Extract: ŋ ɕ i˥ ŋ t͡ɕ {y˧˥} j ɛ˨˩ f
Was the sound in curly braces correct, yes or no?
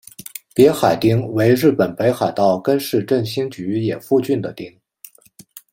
yes